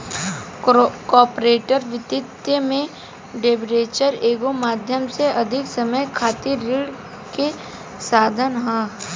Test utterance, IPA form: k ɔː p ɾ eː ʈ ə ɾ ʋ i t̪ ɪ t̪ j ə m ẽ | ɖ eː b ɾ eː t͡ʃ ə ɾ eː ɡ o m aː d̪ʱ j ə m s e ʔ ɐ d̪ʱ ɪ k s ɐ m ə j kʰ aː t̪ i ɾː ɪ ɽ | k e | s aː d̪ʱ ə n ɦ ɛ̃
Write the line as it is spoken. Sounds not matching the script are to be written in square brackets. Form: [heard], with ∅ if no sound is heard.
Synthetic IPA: k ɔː p ɾ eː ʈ ə ɾ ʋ [ɪ] t̪ ɪ t̪ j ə m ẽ | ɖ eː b ɾ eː t͡ʃ ə ɾ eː ɡ o m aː d̪ʱ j ə m s e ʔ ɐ d̪ʱ ɪ k s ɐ m ə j kʰ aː t̪ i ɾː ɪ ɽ | k e | s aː d̪ʱ ə n ɦ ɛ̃